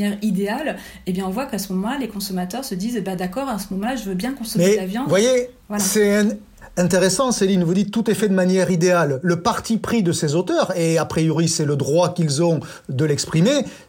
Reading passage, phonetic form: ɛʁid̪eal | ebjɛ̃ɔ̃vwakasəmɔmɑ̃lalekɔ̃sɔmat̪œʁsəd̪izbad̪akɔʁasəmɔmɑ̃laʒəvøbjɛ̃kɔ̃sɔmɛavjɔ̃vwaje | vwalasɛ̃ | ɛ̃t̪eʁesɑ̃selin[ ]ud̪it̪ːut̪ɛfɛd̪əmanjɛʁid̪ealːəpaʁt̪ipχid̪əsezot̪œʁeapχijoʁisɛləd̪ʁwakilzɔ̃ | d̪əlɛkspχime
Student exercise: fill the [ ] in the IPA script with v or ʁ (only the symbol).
v